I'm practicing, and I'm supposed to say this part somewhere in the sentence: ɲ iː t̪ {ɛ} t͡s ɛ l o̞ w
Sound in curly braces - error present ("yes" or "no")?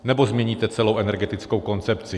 no